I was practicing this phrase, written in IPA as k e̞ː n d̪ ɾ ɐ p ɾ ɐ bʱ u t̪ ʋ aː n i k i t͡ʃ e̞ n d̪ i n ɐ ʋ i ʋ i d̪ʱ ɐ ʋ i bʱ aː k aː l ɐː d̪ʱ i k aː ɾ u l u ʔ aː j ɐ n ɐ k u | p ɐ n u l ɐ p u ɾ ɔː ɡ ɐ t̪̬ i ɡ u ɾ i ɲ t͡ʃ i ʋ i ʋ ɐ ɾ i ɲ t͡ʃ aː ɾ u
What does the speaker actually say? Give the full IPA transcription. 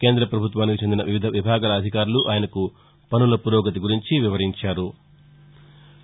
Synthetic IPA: k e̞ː n d̪ ɾ ɐ p ɾ ɐ bʱ u t̪ ʋ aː n i k i t͡ʃ e̞ n d̪ i n ɐ ʋ i ʋ i d̪ʱ ɐ ʋ i bʱ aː ɡ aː l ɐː d̪ʱ i k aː ɾ u l u ʔ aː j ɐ n ɐ k u | p ɐ n u l ɐ p u ɾ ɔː ɡ ɐ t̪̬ i ɡ u ɾ i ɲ t͡ʃ i ʋ i ʋ ɐ ɾ i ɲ t͡ʃ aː ɾ u